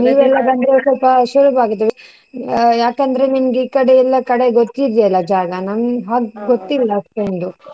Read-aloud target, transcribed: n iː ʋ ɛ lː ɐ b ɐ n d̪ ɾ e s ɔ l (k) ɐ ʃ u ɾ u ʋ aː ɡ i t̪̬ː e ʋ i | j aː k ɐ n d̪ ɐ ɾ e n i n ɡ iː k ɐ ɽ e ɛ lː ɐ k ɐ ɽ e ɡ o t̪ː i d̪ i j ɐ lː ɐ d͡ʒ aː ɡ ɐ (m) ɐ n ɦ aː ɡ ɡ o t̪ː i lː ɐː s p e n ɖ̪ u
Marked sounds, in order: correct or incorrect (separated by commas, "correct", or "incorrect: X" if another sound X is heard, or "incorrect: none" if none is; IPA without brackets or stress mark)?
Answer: incorrect: p, incorrect: n